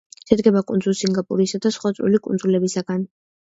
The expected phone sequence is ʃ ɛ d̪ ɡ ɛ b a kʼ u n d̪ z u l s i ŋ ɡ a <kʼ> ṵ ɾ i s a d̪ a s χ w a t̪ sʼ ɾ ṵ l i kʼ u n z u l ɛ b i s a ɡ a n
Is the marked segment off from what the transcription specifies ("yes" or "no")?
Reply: yes